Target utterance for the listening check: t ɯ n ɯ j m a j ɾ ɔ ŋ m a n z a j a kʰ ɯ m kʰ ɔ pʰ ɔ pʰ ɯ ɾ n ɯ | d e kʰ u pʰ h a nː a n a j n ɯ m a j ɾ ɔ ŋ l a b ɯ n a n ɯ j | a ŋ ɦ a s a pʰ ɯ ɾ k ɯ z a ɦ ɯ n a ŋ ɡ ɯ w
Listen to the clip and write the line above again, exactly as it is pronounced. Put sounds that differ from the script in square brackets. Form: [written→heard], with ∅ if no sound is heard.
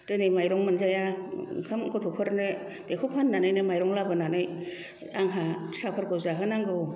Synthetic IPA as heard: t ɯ n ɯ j m a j ɾ ɔ ŋ m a n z a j a kʰ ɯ m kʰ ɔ [pʰ→tʰ] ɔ pʰ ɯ ɾ n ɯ | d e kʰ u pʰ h a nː a n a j n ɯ m a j ɾ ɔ ŋ l a b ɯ n a n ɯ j | a ŋ ɦ a s a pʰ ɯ ɾ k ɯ z a ɦ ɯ n a ŋ ɡ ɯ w